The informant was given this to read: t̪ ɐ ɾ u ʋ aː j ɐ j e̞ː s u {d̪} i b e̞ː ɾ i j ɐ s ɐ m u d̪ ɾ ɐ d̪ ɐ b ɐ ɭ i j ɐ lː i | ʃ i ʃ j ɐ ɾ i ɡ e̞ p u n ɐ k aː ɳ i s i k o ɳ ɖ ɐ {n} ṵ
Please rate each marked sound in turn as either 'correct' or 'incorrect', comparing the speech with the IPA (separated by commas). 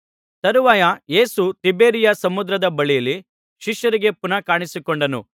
incorrect, correct